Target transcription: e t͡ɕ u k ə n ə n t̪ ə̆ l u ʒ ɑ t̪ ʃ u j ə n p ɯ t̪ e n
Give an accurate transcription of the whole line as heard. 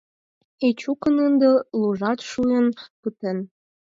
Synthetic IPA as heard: e t͡ɕ u k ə n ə n d̪ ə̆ l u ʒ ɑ t̪ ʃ u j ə n p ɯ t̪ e n